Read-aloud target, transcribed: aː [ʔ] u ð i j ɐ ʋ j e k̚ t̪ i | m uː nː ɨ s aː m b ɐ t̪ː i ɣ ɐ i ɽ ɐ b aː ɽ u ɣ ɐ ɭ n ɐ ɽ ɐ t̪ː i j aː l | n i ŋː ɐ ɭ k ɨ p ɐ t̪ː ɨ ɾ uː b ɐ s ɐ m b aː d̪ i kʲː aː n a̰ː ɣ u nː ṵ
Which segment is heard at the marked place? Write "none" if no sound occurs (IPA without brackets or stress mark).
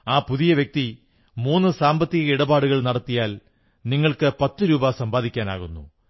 p